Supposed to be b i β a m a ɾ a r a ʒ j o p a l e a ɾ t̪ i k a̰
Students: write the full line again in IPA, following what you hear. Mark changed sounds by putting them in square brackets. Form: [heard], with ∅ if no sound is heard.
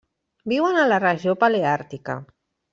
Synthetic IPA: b i [w] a [n] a [l] a r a ʒ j o p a l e a ɾ t̪ i k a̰